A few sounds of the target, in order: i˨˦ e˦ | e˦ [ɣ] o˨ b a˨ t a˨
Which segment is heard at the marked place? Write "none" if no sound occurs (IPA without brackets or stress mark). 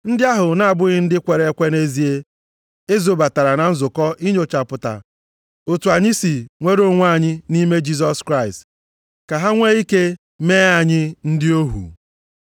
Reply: z